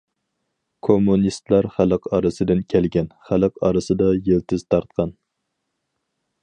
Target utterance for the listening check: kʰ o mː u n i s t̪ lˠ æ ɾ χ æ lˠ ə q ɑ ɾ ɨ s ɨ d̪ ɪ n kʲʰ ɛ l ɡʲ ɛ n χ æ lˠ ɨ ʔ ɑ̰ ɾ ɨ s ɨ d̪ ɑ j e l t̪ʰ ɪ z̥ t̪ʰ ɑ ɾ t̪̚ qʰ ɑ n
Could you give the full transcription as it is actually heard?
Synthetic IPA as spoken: kʰ o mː u n i s t̪ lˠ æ ɾ χ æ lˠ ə q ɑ ɾ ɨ s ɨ d̪ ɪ n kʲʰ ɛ l ɡʲ ɛ n χ æ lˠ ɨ q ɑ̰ ɾ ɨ s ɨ d̪ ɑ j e l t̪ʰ ɪ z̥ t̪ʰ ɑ ɾ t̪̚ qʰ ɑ n